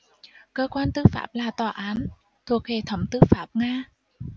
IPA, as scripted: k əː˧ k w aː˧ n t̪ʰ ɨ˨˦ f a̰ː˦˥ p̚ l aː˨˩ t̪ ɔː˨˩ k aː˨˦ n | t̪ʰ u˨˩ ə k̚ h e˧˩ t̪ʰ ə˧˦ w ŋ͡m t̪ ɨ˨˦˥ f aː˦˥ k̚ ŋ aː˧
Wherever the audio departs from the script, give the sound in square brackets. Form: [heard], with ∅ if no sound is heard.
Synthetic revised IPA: k əː˧ k w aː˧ n [t̪] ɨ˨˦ f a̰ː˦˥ p̚ l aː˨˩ t̪ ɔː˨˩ [ʔ] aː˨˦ n | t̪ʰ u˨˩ ə k̚ h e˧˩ t̪ʰ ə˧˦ w ŋ͡m t̪ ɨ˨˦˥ f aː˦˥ [p̚] ŋ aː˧